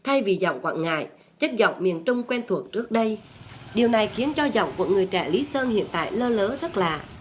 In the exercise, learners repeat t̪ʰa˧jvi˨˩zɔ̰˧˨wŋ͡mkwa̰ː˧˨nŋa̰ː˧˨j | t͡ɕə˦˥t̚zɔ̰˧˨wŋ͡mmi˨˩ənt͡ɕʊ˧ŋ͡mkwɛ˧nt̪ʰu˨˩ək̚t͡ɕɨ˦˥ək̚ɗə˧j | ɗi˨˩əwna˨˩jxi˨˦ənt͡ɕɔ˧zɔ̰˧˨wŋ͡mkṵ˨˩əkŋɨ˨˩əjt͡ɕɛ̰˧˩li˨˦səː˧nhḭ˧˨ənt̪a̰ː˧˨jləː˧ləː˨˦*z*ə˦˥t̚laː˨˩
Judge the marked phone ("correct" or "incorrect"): correct